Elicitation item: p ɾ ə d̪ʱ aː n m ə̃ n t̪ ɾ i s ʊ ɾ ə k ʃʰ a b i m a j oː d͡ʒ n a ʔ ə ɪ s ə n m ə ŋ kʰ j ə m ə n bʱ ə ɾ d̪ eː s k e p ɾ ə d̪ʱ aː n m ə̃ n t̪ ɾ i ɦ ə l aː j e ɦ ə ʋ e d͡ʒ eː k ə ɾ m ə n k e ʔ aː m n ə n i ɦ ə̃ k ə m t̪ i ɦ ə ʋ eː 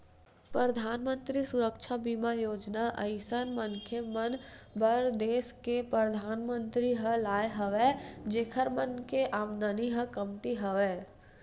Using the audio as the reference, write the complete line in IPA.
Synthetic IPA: p ɾ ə d̪ʱ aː n m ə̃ n t̪ ɾ i s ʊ ɾ ə k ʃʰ a b i m a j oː d͡ʒ n a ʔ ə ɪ s ə n m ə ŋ kʰ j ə m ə n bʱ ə ɾ d̪ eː s k e p ɾ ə d̪ʱ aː n m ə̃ n t̪ ɾ i ɦ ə l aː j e ɦ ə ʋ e d͡ʒ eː kʰ ə ɾ m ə n k e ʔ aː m n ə n i ɦ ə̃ k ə m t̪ i ɦ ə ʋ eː